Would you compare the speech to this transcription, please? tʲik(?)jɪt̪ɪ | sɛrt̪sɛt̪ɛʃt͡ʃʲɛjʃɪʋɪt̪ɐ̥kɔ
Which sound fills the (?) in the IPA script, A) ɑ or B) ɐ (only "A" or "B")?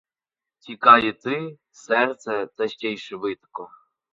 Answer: A